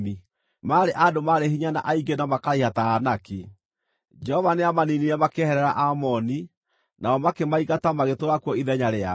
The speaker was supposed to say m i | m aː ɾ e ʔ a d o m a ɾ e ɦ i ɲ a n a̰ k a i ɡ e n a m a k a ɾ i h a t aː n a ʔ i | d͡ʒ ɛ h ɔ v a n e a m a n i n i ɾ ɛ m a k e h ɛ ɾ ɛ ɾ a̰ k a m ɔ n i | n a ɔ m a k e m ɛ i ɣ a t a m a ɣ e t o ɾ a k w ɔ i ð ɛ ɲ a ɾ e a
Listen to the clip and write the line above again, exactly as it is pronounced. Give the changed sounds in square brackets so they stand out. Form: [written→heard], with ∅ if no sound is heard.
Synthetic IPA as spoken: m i | m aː ɾ e ʔ a d o m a ɾ e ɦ i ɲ a n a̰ [k→ʔ] a i ɡ e n a m a k a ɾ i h a t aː n a [ʔ→k] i | d͡ʒ ɛ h ɔ v a n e a m a n i n i ɾ ɛ m a k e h ɛ ɾ ɛ ɾ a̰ [k→ʔ] a m ɔ n i | n a ɔ m a k e m [ɛ→a] i ɣ a t a m a ɣ e t o ɾ a k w ɔ i ð ɛ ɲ a ɾ e a